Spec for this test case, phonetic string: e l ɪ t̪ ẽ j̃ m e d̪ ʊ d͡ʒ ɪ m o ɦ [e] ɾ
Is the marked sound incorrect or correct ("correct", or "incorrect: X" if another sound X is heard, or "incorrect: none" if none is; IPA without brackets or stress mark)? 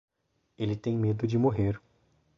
correct